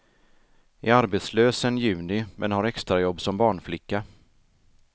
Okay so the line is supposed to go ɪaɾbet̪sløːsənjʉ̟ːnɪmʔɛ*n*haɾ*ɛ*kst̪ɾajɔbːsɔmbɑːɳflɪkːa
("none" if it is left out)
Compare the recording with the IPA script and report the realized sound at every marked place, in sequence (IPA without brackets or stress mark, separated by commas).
n, ɛ